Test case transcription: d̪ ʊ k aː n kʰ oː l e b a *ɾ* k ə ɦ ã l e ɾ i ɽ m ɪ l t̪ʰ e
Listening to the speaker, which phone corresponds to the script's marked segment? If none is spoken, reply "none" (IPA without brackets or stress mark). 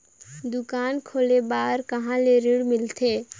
ɾ